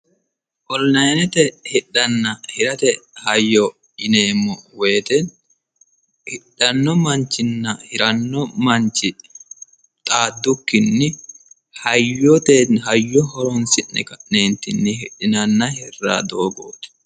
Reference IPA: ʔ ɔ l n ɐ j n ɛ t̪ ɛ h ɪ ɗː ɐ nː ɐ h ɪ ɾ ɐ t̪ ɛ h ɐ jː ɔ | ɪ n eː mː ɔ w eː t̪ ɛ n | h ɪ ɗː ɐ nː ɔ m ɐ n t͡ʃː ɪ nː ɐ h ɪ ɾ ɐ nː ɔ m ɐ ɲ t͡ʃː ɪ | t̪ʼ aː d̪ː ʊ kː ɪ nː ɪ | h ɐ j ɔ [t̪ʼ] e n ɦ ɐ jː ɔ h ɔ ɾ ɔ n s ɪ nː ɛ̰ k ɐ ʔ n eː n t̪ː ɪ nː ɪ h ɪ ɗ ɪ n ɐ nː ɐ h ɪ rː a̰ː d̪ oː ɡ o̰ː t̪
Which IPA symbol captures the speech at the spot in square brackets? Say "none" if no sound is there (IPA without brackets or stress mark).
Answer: t̪